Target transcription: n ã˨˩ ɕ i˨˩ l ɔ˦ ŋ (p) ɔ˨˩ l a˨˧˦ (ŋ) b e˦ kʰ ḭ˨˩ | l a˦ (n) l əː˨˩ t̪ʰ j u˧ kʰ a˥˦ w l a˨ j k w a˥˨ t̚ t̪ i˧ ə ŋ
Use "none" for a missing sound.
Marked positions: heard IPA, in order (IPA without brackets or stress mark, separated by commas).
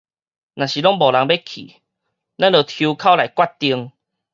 b, ŋ, n